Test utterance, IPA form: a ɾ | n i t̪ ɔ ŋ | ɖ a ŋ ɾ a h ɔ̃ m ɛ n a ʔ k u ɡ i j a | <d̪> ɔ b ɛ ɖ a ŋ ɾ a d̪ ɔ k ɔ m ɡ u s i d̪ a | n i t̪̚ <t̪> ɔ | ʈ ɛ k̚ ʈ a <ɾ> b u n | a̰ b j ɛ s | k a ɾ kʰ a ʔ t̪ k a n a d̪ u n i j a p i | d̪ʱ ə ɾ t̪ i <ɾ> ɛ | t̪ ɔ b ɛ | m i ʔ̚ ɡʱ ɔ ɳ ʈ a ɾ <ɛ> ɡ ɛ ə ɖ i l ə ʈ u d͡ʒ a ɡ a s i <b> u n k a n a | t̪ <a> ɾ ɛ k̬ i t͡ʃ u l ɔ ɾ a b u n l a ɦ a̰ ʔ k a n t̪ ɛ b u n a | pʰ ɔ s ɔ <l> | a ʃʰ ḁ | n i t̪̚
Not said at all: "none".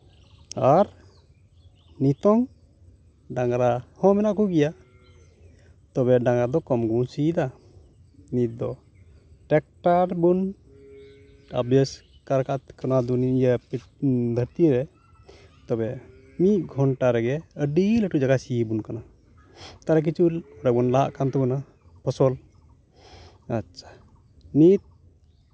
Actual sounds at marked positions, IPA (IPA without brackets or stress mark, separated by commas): t̪, d̪, ɾ, ɾ, ɛ, b, a, l